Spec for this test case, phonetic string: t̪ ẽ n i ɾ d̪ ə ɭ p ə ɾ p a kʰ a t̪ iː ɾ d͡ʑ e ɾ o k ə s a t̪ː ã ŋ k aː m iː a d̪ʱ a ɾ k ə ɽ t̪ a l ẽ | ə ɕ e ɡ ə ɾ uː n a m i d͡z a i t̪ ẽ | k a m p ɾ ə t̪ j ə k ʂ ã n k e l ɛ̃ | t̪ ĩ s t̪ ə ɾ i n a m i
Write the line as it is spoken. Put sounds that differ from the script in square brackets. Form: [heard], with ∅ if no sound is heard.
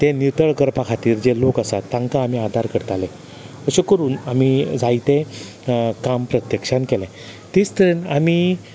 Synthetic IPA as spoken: t̪ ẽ n i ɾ [t̪] ə ɭ [k] ə ɾ p a kʰ a t̪ iː ɾ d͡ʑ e [l] o k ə s a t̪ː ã ŋ k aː m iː a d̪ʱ a ɾ k ə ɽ t̪ a l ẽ | ə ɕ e [k] ə ɾ uː n a m i d͡z a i t̪ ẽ | k a m p ɾ ə t̪ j ə k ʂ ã n k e l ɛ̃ | t̪ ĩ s t̪ ə ɾ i n a m i